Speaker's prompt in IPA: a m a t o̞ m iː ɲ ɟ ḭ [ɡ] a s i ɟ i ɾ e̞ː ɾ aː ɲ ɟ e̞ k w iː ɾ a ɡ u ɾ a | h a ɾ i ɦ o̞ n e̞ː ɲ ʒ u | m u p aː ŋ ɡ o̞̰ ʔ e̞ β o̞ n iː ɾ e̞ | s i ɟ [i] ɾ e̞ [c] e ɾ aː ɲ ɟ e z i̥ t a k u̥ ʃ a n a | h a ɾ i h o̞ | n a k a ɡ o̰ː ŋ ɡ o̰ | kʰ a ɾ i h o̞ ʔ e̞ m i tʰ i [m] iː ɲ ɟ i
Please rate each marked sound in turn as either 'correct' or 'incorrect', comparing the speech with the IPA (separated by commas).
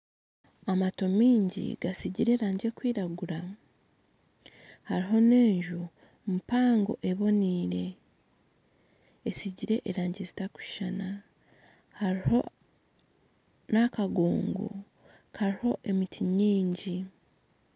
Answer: correct, correct, incorrect, incorrect